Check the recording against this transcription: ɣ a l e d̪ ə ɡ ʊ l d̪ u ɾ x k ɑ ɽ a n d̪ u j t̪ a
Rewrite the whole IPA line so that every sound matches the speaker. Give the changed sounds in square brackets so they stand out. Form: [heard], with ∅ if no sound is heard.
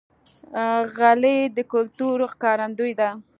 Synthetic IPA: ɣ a l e d̪ ə [k] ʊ l [t̪] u ɾ x k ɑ [ɾ] a n d̪ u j [d̪] a